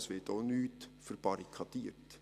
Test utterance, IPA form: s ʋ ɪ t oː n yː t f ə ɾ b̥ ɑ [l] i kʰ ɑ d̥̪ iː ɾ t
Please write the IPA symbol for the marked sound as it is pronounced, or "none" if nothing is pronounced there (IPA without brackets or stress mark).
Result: ɾ